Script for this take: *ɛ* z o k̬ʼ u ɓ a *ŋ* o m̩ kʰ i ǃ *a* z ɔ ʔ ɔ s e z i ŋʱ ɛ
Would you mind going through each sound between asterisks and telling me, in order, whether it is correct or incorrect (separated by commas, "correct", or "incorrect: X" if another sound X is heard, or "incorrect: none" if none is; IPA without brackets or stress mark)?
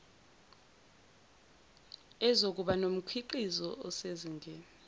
correct, incorrect: n, incorrect: i